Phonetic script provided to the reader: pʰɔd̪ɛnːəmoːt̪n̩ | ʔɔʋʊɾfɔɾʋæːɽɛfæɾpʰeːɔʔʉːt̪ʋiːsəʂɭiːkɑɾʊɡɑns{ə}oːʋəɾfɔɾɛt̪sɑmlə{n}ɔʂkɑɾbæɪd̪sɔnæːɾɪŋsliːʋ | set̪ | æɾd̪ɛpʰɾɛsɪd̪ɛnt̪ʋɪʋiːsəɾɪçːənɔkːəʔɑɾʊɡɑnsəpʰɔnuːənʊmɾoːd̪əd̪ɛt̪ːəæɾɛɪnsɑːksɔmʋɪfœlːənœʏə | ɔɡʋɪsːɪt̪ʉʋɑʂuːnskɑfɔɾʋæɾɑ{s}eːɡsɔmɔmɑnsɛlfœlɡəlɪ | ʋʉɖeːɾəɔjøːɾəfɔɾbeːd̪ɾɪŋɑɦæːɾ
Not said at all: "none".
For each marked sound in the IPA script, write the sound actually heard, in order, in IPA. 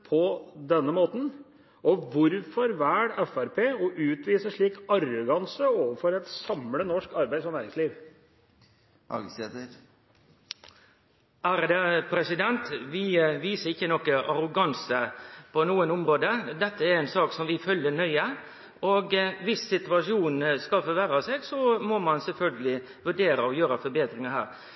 ə, n, s

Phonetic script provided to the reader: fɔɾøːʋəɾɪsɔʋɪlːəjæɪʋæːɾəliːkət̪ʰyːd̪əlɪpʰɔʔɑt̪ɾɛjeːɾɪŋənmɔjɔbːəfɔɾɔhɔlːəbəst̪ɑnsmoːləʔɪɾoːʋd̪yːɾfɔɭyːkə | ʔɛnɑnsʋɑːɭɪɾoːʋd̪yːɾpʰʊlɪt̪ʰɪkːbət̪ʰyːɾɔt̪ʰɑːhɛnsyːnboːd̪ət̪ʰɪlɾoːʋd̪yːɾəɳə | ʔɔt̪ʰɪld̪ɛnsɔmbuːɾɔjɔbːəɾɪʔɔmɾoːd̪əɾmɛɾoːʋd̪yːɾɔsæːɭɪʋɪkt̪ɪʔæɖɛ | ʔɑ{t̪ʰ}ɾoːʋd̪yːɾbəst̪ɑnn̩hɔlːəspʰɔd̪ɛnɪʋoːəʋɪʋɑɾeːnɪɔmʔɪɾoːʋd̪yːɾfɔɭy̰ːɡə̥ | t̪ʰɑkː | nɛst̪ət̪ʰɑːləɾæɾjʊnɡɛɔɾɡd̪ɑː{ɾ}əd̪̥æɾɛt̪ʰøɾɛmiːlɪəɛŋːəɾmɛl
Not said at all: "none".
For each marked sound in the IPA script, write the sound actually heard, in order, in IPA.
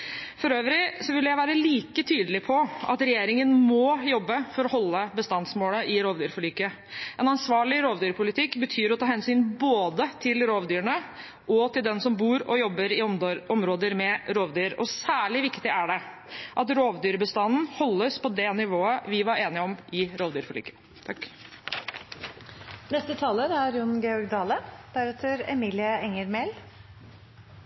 t̪, l

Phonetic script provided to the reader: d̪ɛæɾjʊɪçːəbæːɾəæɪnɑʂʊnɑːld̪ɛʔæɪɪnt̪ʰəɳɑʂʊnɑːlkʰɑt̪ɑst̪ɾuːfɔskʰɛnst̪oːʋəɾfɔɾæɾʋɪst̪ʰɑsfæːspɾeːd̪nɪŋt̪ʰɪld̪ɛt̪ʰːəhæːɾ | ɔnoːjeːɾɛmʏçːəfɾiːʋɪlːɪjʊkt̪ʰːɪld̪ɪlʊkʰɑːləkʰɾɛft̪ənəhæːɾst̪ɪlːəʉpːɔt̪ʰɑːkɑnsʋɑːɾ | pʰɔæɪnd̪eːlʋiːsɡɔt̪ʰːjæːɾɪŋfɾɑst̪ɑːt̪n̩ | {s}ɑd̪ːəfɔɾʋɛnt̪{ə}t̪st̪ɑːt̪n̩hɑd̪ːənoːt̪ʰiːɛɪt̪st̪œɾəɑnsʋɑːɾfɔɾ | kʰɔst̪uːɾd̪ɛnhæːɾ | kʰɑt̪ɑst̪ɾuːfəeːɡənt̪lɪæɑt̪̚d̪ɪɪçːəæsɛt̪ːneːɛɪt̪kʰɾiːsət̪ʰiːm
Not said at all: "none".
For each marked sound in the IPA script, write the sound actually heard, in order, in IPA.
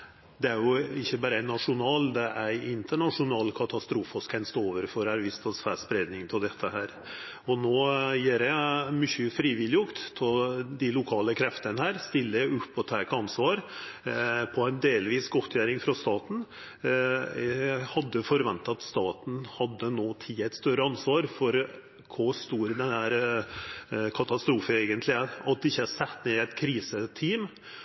h, ɑ

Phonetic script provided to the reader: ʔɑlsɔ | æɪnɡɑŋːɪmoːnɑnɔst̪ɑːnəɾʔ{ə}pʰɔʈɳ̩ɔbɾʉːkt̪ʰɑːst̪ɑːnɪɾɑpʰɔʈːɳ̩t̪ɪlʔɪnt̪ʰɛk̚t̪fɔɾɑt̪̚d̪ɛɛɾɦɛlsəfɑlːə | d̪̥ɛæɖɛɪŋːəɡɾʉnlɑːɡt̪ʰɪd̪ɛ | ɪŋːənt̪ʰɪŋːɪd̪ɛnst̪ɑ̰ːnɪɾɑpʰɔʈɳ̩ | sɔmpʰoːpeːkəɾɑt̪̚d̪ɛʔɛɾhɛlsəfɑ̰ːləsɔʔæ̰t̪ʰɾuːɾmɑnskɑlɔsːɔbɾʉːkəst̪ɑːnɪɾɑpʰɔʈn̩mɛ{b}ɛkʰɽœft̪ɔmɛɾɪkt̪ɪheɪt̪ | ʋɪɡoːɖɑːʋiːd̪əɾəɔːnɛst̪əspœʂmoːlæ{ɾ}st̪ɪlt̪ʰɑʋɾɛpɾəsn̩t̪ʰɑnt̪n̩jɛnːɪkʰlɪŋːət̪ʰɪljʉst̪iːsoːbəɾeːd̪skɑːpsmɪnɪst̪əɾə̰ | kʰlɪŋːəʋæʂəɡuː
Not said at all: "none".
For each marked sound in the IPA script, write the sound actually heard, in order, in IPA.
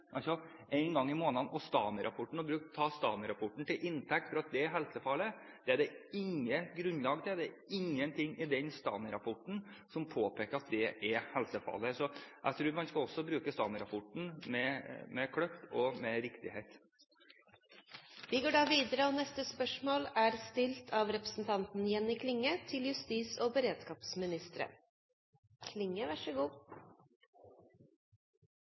ɑ, m, ɾ

